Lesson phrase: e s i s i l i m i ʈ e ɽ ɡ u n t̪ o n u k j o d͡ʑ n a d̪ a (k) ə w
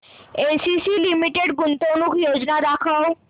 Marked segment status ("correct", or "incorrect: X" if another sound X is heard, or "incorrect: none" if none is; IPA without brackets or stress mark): incorrect: kʰ